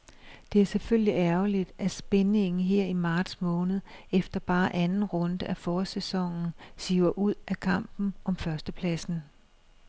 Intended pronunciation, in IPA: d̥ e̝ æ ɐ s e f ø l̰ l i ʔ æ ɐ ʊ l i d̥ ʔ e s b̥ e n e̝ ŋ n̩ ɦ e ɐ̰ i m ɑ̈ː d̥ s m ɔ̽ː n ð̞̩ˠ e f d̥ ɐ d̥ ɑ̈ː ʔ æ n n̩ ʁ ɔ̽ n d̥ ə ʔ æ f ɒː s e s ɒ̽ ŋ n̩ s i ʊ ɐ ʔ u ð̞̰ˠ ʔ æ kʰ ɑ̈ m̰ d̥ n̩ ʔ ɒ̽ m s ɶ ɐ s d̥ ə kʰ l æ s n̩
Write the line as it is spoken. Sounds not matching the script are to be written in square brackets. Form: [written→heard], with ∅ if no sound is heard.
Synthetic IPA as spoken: d̥ e̝ æ ɐ s e f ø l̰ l i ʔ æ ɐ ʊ l i d̥ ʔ [e→æ] s b̥ e n e̝ ŋ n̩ ɦ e ɐ̰ i m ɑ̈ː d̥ s m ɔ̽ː n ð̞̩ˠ e f d̥ ɐ [d̥→b̥] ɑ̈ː ʔ æ n n̩ ʁ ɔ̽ n d̥ ə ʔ æ f ɒː s e s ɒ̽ ŋ n̩ s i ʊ ɐ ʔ u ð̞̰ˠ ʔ æ kʰ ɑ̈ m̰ [d̥→b̥] n̩ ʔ ɒ̽ m [s→f] ɶ ɐ s d̥ ə [kʰ→pʰ] l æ s n̩